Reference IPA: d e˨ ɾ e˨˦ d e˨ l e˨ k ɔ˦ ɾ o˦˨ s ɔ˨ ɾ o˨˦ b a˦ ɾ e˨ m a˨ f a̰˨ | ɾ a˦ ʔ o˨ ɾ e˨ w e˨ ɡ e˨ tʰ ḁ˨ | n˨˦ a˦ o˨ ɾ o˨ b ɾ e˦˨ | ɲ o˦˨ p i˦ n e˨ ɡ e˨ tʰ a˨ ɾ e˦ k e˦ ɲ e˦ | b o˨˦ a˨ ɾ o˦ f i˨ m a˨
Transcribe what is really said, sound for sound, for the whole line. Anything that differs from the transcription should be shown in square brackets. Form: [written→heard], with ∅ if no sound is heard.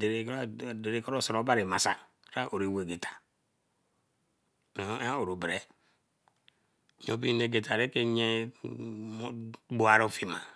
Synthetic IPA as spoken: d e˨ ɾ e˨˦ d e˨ [l→ɾ] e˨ k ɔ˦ ɾ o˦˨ s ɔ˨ ɾ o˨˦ b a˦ ɾ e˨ m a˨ [f→s] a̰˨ | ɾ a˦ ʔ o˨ ɾ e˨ w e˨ ɡ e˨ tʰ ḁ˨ | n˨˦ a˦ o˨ ɾ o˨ b ɾ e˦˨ | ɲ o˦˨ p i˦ n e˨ ɡ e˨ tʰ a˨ ɾ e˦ k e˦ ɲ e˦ | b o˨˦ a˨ ɾ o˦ f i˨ m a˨